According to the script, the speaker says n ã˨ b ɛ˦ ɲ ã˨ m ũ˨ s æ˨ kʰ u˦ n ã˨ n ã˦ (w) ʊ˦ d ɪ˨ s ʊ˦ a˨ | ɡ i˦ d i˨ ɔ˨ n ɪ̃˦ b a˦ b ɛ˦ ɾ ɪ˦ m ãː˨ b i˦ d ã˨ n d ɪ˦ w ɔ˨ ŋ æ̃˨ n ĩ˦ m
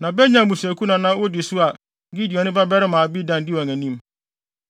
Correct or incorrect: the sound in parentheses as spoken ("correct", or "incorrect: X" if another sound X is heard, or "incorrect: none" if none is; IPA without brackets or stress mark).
correct